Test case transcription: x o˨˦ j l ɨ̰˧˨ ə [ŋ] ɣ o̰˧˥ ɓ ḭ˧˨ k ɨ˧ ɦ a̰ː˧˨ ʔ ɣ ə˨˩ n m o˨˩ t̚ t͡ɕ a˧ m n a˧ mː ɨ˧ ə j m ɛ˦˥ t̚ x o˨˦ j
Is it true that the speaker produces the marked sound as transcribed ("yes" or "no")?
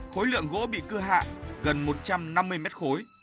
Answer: yes